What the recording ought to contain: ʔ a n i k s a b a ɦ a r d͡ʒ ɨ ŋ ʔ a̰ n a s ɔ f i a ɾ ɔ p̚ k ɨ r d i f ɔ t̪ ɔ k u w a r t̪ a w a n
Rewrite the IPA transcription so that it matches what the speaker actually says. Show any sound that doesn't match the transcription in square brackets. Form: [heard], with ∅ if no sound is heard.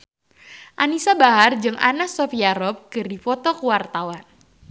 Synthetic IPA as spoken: ʔ a n i [∅] s a b a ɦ a r d͡ʒ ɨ ŋ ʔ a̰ n a s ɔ f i a ɾ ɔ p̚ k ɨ r d i f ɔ t̪ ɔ k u w a r t̪ a w a n